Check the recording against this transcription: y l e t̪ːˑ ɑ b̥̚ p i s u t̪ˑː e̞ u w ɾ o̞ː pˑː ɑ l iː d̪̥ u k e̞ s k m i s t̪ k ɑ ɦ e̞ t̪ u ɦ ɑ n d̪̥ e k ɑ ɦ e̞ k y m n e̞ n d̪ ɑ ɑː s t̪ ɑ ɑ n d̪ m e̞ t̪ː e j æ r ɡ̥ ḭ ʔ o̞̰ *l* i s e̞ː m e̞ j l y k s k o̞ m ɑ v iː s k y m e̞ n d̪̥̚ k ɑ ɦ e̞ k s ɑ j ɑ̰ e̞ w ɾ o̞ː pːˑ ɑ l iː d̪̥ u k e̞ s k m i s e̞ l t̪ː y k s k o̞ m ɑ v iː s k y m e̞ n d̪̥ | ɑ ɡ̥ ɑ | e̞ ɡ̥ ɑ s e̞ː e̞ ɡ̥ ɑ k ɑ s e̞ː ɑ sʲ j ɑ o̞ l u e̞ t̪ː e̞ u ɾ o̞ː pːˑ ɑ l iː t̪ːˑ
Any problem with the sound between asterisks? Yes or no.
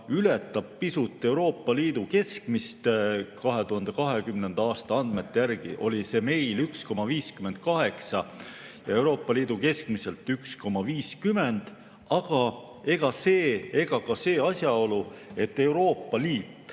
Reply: no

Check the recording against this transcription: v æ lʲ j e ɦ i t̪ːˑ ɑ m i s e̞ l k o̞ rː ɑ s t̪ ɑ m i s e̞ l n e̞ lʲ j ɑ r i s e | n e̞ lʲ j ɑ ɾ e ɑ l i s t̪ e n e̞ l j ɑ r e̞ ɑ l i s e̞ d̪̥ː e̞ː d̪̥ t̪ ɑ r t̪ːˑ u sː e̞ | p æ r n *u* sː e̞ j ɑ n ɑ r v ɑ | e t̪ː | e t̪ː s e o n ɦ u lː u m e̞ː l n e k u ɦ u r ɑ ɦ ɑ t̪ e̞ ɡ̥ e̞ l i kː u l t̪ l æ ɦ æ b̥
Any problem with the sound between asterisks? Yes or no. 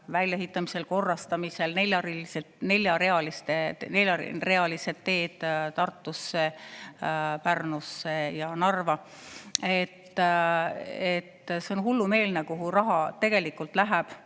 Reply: no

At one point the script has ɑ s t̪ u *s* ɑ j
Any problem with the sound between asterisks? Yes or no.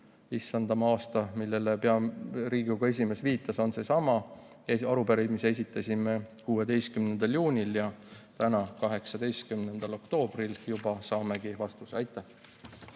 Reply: no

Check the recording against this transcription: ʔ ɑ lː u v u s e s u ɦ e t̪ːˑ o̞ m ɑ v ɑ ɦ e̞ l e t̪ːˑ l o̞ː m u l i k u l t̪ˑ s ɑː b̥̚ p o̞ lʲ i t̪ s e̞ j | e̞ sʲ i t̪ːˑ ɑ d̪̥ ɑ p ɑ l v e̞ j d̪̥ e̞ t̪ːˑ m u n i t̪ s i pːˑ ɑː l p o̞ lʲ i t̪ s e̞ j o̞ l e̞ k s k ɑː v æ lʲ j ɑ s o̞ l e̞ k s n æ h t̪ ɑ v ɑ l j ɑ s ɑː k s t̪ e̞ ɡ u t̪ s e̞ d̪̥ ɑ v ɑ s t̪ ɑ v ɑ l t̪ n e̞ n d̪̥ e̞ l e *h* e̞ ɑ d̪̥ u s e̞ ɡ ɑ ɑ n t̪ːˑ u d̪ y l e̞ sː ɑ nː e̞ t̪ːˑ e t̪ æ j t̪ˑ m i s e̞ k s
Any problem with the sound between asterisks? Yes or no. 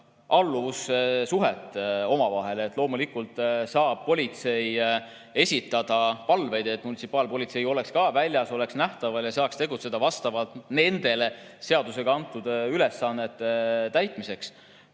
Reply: yes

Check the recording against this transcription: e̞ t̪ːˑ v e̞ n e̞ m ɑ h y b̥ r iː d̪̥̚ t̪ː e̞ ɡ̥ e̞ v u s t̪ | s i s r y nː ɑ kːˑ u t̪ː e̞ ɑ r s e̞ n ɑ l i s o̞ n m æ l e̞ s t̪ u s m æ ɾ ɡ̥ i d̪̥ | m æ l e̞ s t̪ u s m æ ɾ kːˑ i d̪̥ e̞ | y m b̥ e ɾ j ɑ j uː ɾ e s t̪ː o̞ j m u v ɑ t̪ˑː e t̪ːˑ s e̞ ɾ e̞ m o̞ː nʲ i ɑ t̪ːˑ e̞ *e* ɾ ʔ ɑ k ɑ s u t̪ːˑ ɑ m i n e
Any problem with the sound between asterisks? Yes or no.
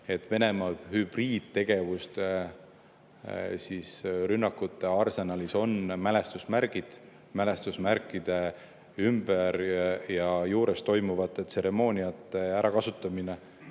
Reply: yes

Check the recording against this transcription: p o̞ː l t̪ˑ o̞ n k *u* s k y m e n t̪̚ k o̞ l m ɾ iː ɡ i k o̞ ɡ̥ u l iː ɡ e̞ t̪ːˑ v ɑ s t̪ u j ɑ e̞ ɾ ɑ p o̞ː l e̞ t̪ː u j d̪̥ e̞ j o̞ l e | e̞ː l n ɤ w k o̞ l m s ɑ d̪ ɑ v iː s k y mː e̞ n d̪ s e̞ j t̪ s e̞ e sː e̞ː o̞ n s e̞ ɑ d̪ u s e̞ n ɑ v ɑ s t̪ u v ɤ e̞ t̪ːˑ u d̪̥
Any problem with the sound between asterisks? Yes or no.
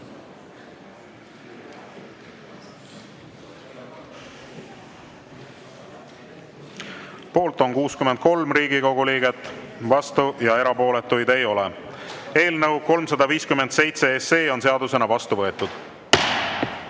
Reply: yes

